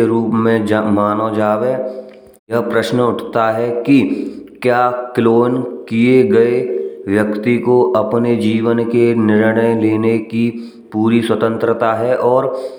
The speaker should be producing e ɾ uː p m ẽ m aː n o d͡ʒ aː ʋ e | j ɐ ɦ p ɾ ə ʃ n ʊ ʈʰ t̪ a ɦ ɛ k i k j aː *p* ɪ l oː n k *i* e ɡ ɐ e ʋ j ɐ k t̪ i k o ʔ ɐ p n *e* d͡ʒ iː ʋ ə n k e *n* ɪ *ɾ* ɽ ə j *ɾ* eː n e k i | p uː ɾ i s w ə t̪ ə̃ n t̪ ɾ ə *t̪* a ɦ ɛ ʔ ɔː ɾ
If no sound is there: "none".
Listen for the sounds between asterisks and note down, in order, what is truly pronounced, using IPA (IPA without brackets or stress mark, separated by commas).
k, i, e, n, ɾ, l, t̪